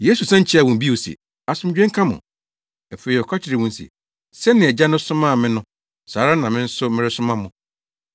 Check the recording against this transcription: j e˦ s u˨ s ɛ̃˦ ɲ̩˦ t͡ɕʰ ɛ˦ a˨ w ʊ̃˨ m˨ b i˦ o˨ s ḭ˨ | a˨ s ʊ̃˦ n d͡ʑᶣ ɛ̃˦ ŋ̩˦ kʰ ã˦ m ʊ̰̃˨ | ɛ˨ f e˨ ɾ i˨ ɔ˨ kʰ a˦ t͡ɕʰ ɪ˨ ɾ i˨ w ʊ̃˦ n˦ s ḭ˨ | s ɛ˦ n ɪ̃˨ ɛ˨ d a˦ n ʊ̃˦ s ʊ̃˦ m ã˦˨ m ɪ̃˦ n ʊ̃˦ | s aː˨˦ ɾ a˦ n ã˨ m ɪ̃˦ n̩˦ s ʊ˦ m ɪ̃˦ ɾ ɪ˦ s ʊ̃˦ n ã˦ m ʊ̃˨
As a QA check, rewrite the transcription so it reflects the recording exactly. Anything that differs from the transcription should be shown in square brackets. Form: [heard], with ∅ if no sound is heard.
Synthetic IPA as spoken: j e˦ s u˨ s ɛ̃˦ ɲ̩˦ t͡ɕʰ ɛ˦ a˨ w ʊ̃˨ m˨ b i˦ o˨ s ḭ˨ | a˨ s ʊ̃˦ [m] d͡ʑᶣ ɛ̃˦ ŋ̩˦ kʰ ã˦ m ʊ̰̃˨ | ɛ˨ f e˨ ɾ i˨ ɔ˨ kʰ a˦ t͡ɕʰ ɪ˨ ɾ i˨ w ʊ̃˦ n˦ s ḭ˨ | s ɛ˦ n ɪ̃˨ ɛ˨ [d͡ʑ] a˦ n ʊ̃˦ s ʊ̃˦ m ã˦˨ m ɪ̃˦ n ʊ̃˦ | s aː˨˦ ɾ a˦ n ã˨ m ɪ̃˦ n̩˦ s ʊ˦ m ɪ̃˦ ɾ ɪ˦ s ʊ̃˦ [m] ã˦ m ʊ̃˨

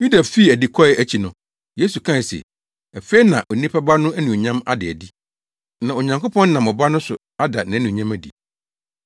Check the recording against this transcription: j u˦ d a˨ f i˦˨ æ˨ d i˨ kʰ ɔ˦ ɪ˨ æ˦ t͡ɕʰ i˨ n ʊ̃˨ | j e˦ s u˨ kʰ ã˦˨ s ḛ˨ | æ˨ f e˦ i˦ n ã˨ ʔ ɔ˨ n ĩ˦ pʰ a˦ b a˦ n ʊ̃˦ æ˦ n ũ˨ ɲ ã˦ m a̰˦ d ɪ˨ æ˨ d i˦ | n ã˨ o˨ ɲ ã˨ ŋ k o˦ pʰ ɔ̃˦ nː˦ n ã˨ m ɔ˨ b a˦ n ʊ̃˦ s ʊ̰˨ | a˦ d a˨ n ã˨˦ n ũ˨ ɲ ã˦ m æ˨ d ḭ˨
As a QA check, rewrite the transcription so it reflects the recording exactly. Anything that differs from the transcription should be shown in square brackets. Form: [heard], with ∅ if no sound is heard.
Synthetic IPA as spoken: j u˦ d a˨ f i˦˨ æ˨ d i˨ kʰ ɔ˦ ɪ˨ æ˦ t͡ɕʰ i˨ n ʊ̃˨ | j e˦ s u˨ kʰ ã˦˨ s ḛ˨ | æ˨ f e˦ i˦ n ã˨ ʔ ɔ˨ n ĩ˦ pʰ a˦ b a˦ n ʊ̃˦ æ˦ n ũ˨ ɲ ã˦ m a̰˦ d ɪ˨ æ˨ d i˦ | n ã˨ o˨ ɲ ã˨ ŋ k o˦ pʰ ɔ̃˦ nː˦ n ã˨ m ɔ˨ b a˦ n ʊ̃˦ s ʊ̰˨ | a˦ d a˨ n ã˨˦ n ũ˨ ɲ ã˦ m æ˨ d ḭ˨

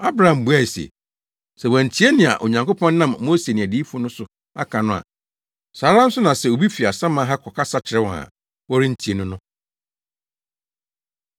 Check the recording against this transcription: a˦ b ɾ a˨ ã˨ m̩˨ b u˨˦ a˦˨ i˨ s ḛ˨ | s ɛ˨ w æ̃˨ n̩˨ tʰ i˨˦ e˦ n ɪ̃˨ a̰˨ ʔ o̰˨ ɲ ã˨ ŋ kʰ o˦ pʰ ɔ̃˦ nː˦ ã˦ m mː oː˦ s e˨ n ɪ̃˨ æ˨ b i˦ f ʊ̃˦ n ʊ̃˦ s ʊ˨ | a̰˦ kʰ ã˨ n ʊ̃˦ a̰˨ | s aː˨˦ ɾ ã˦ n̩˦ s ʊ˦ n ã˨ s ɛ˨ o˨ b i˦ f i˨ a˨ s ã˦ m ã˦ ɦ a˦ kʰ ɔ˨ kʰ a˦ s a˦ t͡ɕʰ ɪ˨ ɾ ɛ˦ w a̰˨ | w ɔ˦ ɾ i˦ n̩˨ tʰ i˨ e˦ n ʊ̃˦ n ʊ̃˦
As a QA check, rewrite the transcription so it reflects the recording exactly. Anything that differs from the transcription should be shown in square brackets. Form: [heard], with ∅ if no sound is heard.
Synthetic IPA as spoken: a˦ b ɾ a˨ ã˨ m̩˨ b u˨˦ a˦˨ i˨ s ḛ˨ | s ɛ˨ w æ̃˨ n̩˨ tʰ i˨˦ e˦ n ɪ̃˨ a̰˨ ʔ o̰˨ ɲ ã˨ ŋ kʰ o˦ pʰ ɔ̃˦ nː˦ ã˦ m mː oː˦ s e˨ n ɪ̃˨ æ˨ [d] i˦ f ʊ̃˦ n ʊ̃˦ s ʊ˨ | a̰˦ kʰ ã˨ n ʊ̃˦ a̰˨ | s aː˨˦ ɾ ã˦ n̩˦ s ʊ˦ n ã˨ s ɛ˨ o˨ b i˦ f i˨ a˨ s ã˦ m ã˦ ɦ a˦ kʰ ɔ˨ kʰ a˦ s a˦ t͡ɕʰ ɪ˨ ɾ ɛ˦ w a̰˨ | w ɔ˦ ɾ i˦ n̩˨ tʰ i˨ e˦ n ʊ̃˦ n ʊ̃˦

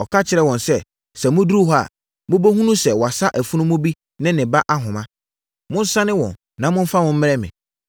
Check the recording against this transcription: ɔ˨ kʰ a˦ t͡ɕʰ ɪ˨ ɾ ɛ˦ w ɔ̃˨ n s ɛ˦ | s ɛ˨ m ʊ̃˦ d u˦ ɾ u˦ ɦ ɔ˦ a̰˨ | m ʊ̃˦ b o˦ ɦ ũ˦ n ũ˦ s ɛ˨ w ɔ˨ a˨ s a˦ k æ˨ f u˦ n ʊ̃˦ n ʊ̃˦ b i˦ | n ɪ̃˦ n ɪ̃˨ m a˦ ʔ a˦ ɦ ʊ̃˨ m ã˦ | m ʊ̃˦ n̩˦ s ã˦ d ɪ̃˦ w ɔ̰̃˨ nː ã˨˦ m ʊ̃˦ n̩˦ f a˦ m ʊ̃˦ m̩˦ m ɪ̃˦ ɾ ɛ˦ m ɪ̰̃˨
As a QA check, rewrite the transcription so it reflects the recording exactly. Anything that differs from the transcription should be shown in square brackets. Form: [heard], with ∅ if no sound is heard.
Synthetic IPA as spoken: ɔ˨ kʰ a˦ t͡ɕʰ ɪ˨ ɾ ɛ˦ w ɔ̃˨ n s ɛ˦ | s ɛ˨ m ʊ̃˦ d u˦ ɾ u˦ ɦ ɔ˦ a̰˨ | m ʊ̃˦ b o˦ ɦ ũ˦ n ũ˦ s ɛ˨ w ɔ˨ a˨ s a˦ [ʔ] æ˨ f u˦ n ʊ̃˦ [m] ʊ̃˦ b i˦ | n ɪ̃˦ n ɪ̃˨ [b] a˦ ʔ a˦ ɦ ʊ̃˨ m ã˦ | m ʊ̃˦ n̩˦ s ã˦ [n] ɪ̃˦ w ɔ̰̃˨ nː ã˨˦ m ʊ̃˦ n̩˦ f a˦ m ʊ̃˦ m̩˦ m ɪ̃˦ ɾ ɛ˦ m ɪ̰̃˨

